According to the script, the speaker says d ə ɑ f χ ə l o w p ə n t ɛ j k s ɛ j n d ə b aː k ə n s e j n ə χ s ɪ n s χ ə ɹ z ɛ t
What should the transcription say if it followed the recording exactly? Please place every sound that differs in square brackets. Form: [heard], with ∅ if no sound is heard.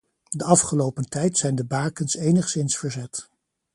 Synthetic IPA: d ə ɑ f χ ə l o w p ə n t ɛ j [t] s ɛ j n d ə b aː k ə n s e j n ə χ s ɪ n s [f] ə ɹ z ɛ t